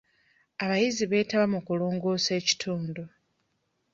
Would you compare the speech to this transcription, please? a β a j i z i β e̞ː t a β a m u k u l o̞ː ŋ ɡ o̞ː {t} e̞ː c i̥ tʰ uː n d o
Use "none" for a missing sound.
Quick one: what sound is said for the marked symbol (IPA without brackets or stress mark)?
s